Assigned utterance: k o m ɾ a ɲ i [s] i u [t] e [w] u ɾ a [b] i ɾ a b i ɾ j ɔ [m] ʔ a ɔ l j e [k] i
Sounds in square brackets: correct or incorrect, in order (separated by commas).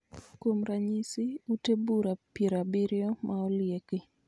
correct, correct, incorrect, incorrect, correct, correct